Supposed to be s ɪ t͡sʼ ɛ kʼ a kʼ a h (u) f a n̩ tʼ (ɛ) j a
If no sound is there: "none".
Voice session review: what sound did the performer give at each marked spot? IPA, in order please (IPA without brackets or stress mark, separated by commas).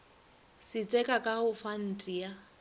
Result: ʊ, i